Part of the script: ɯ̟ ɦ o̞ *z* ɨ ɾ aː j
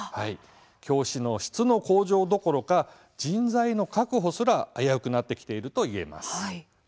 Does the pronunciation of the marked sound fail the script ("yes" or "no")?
yes